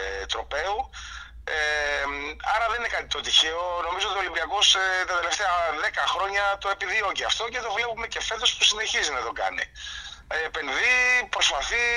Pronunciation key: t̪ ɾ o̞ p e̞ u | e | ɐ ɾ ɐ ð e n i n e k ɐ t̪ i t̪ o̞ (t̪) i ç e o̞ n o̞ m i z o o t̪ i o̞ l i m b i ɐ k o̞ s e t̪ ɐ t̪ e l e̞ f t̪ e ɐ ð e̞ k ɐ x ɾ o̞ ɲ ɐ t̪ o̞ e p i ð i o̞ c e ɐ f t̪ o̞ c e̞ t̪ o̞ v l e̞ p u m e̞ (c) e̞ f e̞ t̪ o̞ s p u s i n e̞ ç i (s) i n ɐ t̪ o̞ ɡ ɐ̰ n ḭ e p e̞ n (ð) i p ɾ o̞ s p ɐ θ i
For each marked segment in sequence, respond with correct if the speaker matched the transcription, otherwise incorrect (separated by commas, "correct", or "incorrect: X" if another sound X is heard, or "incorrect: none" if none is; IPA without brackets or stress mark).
correct, correct, incorrect: z, correct